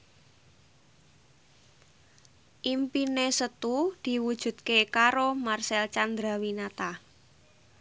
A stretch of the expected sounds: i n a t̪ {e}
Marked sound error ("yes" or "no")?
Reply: yes